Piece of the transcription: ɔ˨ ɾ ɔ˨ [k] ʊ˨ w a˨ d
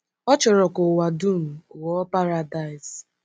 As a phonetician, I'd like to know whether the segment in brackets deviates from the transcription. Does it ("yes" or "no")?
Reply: no